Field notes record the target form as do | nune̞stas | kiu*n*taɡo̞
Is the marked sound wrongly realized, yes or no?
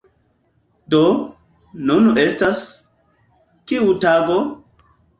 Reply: yes